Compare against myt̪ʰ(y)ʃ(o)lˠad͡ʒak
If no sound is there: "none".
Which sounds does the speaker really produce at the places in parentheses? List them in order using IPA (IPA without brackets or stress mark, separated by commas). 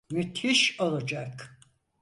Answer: i, o